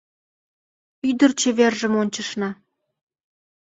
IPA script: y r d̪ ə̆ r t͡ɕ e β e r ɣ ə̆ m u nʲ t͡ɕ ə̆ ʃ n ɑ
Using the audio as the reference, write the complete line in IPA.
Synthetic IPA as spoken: y d̪ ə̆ r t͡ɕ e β e r ʒ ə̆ m o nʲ t͡ɕ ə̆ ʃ n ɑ